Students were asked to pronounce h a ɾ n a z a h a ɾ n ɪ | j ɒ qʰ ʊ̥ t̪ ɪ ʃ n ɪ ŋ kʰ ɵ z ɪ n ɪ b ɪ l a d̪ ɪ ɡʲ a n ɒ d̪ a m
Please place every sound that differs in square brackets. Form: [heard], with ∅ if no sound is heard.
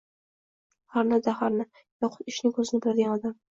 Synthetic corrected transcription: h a ɾ n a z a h a ɾ n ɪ | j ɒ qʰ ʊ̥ t̪ ɪ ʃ n ɪ ŋ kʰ ɵ z ɪ n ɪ b ɪ l a d̪ ɪ ɡʲ a n ɒ d̪ a m